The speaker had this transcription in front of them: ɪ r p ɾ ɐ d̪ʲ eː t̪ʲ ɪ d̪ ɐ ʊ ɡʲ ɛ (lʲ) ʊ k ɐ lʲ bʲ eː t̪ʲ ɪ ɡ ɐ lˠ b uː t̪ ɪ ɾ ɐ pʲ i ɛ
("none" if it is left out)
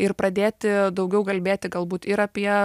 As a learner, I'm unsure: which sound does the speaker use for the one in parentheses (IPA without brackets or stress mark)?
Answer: none